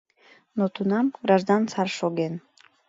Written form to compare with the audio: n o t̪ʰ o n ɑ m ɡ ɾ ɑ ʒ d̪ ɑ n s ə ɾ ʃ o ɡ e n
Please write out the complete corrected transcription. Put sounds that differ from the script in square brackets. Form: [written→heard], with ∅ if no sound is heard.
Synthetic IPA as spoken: n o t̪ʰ [o→u] n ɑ m ɡ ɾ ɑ ʒ d̪ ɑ n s [ə→ɑ] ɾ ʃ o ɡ e n